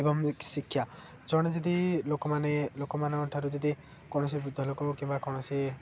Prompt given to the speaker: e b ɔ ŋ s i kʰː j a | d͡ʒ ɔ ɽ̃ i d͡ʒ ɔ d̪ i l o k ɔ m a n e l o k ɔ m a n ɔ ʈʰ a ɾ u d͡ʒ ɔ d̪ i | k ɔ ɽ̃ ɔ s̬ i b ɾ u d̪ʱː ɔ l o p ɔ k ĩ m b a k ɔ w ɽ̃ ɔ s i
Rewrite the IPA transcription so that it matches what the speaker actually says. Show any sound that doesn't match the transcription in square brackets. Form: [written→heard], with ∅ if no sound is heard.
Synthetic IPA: e b ɔ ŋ s i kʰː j a | d͡ʒ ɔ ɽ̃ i d͡ʒ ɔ d̪ i l o k ɔ m a n e l o k ɔ m a n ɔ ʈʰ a ɾ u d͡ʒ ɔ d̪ i | k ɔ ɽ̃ ɔ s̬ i b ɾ u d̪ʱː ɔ l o [p→k] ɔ k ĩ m b a k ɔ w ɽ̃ ɔ s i

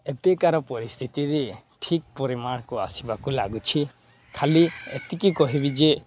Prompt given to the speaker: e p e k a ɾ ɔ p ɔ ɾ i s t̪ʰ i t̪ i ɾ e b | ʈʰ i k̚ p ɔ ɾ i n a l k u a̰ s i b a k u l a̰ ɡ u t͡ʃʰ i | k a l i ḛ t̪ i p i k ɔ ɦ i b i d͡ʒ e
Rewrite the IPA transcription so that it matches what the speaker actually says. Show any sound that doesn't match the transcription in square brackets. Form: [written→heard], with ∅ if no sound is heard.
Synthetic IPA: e p e k a ɾ ɔ p ɔ ɾ i s t̪ʰ i t̪ i ɾ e [b→∅] | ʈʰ i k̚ p ɔ ɾ i [n→m] a [l→ɽ] k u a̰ s i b a k u l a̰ ɡ u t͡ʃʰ i | [k→kʰ] a l i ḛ t̪ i [p→k] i k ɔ ɦ i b i d͡ʒ e

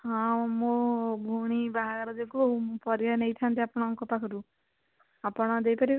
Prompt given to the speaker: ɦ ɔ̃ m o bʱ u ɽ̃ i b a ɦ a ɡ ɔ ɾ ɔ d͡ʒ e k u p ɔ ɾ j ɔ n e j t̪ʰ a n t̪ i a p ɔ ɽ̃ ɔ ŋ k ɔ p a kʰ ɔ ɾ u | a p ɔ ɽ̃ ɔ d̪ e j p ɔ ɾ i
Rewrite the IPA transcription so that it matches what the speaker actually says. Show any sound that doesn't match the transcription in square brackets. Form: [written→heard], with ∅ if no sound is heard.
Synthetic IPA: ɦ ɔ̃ m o bʱ u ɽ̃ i b a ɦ a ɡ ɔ ɾ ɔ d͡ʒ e k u p ɔ ɾ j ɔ n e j t̪ʰ a n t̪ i a p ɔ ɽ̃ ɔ ŋ k ɔ p a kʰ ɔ ɾ u | a p ɔ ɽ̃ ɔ d̪ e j p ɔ ɾ i

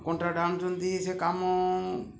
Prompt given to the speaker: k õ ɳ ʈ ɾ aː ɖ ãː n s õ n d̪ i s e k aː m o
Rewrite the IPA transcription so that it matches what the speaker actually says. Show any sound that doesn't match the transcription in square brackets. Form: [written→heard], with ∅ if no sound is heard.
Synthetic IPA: k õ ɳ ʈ ɾ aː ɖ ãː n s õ n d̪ i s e k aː m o

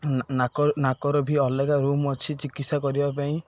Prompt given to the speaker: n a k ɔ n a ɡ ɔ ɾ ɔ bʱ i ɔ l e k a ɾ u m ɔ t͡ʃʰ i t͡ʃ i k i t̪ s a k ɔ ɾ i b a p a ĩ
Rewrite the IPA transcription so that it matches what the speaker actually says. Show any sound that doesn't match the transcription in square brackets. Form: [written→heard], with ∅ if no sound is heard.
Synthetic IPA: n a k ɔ n a [ɡ→k] ɔ ɾ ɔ bʱ i ɔ l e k a ɾ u m ɔ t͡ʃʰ i t͡ʃ i k i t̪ s a k ɔ ɾ i b a p a ĩ

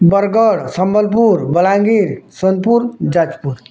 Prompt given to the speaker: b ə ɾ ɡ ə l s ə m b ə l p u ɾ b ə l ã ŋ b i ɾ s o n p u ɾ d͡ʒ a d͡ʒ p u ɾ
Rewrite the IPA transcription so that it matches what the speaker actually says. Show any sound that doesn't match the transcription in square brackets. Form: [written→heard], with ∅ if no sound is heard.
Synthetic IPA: b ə ɾ ɡ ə [l→ɽ] s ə m b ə l p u ɾ b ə l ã ŋ [b→ɡ] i ɾ s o n p u ɾ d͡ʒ a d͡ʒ p u ɾ

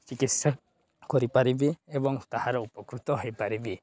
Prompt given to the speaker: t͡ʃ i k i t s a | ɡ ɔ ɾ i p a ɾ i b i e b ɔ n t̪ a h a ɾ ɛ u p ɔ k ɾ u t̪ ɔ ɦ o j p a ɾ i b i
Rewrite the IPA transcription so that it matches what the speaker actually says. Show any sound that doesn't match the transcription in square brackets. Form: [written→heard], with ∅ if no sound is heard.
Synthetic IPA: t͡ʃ i k i t s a | [ɡ→k] ɔ ɾ i p a ɾ i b i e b ɔ [n→ŋ] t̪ a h a ɾ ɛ u p ɔ k ɾ u t̪ ɔ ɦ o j p a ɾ i b i

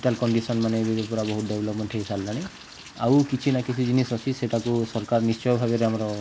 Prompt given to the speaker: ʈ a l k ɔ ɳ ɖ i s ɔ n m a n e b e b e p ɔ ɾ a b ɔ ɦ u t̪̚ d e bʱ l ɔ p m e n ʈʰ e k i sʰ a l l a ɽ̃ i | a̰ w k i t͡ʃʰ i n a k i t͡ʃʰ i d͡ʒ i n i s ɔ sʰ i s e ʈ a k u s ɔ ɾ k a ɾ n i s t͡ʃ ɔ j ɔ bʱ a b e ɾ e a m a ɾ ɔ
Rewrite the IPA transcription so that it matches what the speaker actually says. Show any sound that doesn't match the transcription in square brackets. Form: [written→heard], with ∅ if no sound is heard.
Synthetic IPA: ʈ a l k ɔ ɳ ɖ i s ɔ n m a n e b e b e p ɔ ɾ a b ɔ ɦ u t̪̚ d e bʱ l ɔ p m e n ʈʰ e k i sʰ a l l a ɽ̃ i | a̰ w k i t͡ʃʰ i n a k i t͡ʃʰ i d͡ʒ i n i s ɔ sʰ i s e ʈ a k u s ɔ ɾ k a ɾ n i s t͡ʃ ɔ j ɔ bʱ a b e ɾ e a m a ɾ ɔ

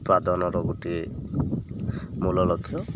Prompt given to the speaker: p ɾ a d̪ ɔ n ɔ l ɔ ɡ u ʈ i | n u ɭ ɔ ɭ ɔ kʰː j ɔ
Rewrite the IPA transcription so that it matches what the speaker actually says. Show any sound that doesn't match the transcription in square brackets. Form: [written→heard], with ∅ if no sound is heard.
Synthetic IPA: p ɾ a d̪ ɔ n ɔ [l→ɾ] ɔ ɡ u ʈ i | [n→m] u [ɭ→l] ɔ [ɭ→l] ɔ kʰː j ɔ

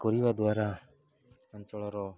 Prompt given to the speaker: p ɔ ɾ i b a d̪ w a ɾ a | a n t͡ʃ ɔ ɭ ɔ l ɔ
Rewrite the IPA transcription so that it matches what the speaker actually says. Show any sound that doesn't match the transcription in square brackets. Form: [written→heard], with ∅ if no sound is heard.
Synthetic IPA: [p→k] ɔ ɾ i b a d̪ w a ɾ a | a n t͡ʃ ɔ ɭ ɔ [l→ɾ] ɔ

